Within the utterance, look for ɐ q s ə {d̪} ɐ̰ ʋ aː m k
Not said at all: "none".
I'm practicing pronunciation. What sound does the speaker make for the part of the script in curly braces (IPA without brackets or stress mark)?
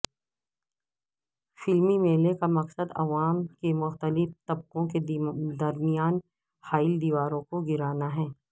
d̪